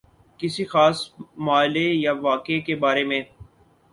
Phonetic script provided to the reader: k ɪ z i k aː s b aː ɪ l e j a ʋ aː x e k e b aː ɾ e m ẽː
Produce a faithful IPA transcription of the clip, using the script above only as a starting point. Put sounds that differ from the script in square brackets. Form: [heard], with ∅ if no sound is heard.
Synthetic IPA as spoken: k ɪ [s] i [x] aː s [m] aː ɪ l e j a ʋ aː [k] e k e b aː ɾ e m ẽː